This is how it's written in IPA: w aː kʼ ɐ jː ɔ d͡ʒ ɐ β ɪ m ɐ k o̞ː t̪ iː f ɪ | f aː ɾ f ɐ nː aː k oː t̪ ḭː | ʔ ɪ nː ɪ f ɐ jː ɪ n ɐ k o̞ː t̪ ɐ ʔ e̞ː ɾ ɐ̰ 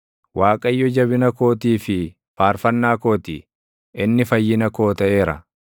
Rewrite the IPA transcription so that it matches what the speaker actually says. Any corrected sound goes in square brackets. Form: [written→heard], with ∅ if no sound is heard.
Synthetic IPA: w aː kʼ ɐ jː ɔ d͡ʒ ɐ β ɪ [m→n] ɐ k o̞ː t̪ iː f ɪ | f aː ɾ f ɐ nː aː k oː t̪ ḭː | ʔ ɪ nː ɪ f ɐ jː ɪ n ɐ k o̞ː t̪ ɐ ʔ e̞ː ɾ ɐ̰